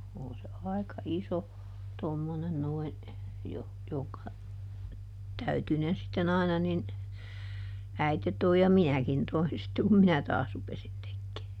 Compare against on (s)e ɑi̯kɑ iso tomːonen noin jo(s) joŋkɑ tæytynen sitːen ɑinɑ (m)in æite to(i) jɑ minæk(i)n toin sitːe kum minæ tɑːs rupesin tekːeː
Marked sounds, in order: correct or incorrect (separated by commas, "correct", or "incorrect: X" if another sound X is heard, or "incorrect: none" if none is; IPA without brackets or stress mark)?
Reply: correct, incorrect: h, incorrect: n, correct, correct